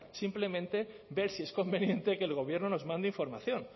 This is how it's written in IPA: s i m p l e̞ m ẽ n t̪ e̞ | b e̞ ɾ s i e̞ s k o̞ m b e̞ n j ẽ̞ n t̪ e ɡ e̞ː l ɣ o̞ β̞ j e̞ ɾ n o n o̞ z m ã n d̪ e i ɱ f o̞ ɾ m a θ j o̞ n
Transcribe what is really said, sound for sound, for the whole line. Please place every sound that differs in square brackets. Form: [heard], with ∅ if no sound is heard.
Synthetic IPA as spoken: s i m p l e̞ m ẽ n t̪ e̞ | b e̞ ɾ s i e̞ s k o̞ m b e̞ n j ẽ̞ n t̪ e [k] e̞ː l ɣ o̞ β̞ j e̞ ɾ n o n o̞ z m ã n d̪ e i ɱ f o̞ ɾ m a θ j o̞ n